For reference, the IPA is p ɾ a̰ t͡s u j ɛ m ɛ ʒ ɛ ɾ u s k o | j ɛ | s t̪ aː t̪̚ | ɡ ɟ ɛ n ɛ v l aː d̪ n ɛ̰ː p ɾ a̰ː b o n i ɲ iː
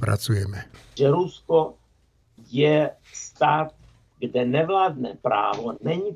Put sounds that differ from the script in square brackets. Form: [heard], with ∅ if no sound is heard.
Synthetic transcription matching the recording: p ɾ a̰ t͡s u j ɛ m ɛ ʒ ɛ ɾ u s k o | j ɛ | s t̪ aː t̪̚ | ɡ [d] ɛ n ɛ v l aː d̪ n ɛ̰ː p ɾ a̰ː [v] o n [ɛ] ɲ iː